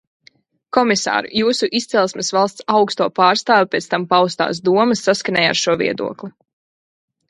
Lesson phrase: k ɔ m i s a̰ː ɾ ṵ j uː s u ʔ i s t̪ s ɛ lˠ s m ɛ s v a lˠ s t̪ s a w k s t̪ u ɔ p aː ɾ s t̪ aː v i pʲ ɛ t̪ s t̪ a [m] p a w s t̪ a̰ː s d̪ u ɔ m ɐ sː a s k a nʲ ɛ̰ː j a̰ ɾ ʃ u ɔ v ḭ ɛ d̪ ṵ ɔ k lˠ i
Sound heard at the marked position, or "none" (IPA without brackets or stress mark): m